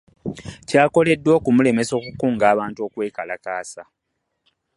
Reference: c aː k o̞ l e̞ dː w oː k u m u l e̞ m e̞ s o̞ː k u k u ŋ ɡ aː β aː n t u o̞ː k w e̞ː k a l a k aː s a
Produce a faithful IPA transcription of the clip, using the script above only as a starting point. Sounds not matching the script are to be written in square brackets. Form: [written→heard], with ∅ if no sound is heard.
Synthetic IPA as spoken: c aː k o̞ l e̞ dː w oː k u m u l e̞ m e̞ s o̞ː k u k [u→uː] ŋ ɡ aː β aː n t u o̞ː k w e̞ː k a l a k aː s a

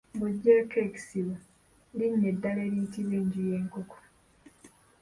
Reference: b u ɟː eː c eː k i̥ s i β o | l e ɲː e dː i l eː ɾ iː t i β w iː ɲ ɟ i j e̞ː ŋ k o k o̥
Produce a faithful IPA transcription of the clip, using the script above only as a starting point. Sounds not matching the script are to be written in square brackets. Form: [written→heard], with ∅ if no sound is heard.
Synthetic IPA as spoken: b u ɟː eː [c→k] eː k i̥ s i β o | l [e→i] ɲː e dː [i→a] l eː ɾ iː t i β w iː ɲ ɟ i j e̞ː ŋ k o k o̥

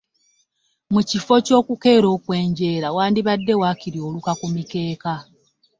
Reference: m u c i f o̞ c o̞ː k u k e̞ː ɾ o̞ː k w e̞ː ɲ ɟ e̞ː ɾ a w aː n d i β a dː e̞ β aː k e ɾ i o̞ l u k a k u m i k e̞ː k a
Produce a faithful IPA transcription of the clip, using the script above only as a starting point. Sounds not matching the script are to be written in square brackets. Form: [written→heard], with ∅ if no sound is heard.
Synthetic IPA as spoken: m u c i f o̞ c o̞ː k u k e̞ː ɾ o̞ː k w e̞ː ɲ ɟ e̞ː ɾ a w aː n d i β a dː e̞ [β→w] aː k [e→i] ɾ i o̞ l u k a k u m i k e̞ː k a

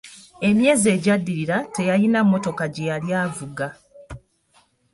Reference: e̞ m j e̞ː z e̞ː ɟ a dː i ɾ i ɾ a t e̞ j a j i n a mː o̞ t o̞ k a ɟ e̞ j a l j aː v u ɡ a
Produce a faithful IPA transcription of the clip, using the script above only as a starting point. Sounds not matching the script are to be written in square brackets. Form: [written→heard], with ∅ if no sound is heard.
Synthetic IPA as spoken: e̞ m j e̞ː z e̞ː ɟ a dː i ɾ i ɾ a t e̞ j a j i n a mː o̞ t o̞ k a ɟ e̞ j a l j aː v u ɡ a

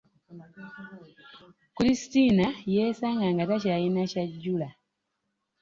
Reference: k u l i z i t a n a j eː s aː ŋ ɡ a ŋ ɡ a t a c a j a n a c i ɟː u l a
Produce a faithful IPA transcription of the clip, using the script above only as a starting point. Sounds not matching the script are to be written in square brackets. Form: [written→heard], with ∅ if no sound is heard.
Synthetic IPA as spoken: k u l i [z→s] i t [a→i] n a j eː s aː ŋ ɡ a ŋ ɡ a t a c a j [a→i] n a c [i→a] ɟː u l a

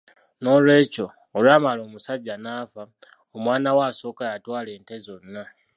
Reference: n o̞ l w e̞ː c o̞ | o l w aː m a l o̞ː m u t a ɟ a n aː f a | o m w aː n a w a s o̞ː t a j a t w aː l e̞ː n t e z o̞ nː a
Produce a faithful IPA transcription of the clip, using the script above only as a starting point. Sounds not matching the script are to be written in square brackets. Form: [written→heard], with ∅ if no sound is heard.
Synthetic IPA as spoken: n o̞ l w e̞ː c o̞ | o l w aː m a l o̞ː m u [t→s] a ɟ a n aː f a | o m w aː n a w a s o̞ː [t→k] a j a t w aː l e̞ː n t e z o̞ nː a

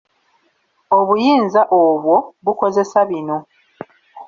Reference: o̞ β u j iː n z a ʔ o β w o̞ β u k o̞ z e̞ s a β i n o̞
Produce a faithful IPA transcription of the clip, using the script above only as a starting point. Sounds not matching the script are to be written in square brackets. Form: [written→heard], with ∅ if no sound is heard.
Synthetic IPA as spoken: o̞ β u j iː n z a ʔ o β w o̞ β u k o̞ z e̞ s a β i n o̞

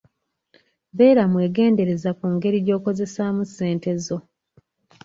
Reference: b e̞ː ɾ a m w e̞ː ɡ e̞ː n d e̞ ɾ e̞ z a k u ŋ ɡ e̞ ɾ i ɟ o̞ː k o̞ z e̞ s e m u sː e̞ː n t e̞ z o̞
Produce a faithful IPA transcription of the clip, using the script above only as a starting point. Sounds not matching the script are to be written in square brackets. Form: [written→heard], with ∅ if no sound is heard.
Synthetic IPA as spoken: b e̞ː ɾ a m w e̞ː ɡ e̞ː n d e̞ ɾ e̞ z a k u ŋ ɡ e̞ ɾ i ɟ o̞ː k o̞ z e̞ s [e→a] m u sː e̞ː n t e̞ z o̞

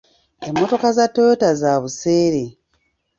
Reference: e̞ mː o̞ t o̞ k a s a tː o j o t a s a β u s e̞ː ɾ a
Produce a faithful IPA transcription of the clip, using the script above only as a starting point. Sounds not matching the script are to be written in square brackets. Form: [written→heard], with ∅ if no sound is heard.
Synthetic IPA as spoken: e̞ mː o̞ t o̞ k a [s→z] a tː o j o t a [s→z] a β u s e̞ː ɾ [a→e]

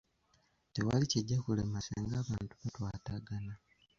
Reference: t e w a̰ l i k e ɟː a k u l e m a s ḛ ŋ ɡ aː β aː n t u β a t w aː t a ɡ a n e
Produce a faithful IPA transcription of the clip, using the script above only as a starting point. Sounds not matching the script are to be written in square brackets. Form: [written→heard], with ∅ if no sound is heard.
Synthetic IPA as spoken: t e w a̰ l i [k→c] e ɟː a k u l e m a s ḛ ŋ ɡ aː β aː n t u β a t w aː t a ɡ a n [e→a]

